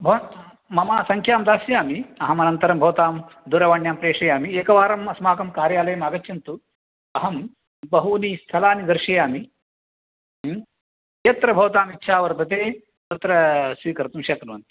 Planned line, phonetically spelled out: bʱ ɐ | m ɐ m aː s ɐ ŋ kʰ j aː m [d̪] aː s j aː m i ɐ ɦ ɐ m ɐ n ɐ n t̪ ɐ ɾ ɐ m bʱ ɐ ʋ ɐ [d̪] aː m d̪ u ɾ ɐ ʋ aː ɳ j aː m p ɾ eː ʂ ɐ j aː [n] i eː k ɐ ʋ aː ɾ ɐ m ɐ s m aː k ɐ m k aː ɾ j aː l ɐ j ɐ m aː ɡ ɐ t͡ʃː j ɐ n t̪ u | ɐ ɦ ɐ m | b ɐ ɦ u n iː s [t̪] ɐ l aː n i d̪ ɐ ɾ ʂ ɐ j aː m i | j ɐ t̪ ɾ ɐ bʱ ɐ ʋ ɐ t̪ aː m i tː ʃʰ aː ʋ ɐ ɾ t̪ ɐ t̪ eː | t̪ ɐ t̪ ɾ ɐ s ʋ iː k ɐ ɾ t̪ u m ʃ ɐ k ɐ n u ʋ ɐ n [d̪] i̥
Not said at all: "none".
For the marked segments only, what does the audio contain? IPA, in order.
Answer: d̪, t̪, m, t̪ʰ, t̪

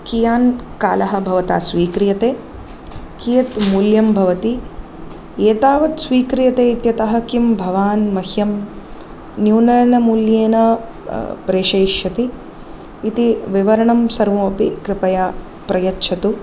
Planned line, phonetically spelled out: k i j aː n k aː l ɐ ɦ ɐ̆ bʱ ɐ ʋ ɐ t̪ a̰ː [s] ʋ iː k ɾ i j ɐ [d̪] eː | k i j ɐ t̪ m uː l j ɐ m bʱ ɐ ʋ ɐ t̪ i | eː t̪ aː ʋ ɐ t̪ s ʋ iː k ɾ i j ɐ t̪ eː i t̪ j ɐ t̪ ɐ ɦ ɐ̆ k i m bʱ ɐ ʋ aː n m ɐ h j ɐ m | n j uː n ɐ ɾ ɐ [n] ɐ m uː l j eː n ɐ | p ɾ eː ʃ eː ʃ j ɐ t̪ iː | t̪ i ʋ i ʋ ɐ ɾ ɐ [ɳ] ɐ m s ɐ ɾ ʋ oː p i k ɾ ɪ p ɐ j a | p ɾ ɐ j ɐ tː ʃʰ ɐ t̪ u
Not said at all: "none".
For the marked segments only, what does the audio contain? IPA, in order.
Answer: s, t̪, n, ɳ

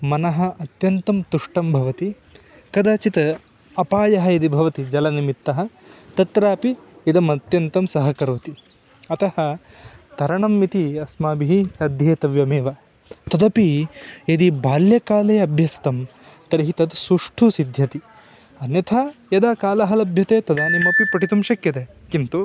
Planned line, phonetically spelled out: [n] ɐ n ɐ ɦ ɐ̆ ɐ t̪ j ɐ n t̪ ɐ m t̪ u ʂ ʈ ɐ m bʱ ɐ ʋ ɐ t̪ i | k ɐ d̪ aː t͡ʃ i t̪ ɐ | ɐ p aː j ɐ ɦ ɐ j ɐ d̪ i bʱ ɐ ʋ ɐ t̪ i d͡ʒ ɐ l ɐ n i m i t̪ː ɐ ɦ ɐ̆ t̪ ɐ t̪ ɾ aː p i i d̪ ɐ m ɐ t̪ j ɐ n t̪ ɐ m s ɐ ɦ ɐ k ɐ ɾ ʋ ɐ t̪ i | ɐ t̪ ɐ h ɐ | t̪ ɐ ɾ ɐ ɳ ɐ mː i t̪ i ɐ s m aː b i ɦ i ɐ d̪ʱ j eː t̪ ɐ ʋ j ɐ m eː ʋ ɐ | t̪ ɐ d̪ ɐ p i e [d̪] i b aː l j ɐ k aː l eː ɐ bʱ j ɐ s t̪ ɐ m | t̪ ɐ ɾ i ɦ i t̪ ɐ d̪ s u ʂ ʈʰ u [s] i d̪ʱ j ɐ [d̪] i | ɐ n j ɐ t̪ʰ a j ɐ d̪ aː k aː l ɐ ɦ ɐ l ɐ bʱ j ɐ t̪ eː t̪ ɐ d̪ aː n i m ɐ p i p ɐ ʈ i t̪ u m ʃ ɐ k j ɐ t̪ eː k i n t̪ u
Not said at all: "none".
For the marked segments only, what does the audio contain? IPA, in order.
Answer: m, d̪, s, t̪

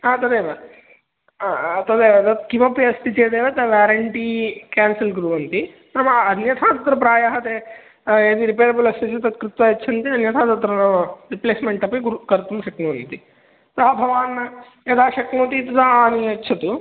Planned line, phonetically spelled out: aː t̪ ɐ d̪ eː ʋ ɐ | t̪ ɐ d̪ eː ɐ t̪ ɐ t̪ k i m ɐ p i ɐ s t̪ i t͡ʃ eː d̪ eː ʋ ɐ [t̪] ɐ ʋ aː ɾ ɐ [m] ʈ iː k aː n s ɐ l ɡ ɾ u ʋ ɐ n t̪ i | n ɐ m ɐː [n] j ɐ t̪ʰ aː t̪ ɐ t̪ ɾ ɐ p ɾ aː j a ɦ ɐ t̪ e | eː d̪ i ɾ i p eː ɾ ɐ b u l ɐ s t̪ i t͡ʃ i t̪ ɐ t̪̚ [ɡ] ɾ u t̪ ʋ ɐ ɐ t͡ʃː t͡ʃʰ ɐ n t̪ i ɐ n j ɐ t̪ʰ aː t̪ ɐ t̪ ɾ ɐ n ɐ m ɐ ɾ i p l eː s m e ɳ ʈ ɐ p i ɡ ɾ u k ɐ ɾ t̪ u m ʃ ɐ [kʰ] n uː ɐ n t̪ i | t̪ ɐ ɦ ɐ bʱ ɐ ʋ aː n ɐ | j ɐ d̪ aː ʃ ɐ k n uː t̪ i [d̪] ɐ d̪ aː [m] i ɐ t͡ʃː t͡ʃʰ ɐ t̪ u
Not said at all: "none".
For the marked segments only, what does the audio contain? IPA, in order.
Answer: t̪, ɳ, n, k, k, t̪, n

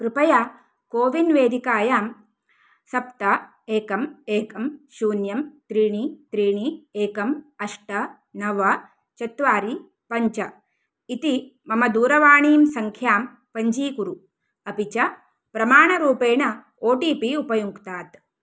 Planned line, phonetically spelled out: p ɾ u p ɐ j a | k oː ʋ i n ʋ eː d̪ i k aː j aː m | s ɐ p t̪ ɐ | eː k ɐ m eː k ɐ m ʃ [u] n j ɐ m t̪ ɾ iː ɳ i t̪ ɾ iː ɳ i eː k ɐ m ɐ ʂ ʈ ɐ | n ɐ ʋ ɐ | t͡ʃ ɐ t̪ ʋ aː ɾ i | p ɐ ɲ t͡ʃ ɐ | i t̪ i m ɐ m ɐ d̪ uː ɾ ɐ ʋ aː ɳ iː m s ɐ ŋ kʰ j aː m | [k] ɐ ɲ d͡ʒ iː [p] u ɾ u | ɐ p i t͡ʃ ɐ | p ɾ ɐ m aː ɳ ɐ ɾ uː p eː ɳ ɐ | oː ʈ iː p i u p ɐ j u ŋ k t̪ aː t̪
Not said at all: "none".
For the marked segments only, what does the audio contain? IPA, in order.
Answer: uː, p, k

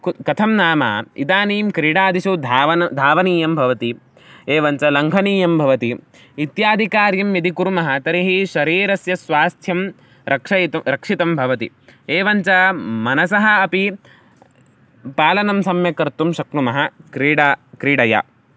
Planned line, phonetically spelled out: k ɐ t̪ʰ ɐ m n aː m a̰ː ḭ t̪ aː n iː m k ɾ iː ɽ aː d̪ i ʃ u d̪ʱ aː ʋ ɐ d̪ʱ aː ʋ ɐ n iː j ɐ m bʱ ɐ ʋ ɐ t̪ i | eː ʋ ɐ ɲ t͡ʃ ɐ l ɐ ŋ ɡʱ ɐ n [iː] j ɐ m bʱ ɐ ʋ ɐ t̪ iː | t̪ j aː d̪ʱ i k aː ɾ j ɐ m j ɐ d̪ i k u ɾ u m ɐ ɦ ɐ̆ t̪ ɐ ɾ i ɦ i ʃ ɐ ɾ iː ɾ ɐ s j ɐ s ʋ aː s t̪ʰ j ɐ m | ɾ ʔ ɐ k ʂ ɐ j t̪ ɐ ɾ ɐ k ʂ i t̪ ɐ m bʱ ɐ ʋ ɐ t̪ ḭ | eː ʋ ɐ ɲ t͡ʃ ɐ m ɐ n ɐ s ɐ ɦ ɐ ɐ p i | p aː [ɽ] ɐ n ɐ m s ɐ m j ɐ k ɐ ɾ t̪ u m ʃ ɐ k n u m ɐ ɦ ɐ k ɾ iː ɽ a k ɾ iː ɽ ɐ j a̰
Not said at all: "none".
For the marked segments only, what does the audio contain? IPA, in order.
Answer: iː, l

